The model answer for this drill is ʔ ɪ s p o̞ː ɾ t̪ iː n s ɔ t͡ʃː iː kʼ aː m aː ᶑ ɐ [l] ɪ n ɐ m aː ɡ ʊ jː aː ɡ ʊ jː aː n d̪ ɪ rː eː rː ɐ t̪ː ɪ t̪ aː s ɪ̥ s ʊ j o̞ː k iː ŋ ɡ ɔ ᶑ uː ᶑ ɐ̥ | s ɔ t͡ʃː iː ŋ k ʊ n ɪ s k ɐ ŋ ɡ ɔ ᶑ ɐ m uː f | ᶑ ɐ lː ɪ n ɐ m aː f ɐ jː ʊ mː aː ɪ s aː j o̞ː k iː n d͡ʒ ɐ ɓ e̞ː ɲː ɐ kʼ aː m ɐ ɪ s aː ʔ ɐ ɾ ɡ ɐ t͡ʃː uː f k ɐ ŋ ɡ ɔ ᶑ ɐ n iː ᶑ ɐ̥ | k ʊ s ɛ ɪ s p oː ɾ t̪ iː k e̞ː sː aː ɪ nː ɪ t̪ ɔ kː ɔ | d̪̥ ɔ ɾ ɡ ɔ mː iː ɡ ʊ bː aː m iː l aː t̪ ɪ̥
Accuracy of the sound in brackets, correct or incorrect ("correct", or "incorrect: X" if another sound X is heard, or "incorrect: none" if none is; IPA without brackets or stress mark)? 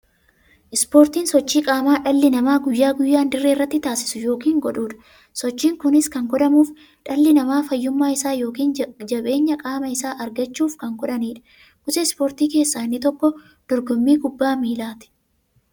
incorrect: lː